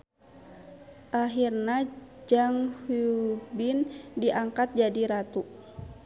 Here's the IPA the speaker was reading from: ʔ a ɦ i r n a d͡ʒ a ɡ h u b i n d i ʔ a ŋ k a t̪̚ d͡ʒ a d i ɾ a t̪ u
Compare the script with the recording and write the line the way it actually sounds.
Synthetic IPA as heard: ʔ a ɦ i r n a d͡ʒ a ŋ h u b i n d i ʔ a ŋ k a t̪̚ d͡ʒ a d i ɾ a t̪ u